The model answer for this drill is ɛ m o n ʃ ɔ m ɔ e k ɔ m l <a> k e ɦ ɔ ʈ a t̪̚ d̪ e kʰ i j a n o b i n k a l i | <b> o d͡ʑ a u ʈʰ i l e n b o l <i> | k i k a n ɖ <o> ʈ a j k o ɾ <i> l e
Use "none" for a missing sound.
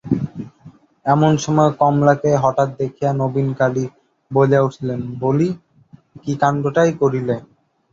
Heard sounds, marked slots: a, b, i, o, i

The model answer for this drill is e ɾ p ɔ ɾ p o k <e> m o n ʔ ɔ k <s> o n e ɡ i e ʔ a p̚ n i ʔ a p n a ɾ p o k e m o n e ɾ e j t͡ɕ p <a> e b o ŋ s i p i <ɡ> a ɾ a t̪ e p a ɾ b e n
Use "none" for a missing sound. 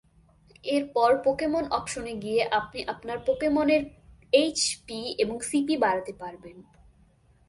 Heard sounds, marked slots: e, ʃ, i, b

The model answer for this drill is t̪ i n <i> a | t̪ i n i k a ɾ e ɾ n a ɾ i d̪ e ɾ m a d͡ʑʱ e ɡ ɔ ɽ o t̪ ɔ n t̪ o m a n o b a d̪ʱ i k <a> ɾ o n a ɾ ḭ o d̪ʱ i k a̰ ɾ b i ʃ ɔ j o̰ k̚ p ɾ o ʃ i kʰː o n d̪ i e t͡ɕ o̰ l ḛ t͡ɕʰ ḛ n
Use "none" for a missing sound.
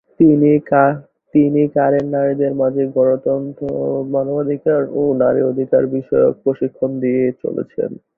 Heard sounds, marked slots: i, a

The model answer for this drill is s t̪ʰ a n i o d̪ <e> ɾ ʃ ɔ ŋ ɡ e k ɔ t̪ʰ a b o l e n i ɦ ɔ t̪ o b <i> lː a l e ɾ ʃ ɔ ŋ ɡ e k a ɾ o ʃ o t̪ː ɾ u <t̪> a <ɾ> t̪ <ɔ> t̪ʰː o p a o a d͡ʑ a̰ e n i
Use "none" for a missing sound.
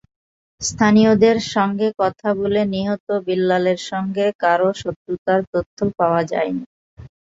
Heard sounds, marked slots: e, i, t̪, ɾ, o

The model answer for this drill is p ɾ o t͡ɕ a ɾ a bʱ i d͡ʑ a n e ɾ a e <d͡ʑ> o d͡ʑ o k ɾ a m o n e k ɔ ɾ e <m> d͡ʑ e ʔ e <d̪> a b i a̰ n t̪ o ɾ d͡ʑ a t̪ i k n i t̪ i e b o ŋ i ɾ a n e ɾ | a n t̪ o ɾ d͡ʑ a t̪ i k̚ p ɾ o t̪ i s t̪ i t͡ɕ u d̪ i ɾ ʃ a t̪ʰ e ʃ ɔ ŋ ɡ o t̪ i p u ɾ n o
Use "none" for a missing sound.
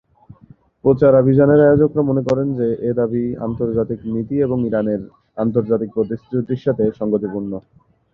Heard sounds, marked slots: none, n, d̪

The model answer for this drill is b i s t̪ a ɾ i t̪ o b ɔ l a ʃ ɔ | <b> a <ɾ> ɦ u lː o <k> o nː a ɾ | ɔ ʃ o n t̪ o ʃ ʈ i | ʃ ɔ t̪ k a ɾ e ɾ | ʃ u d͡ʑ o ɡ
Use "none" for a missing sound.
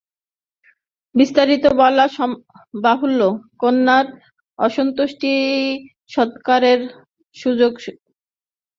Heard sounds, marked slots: b, none, k

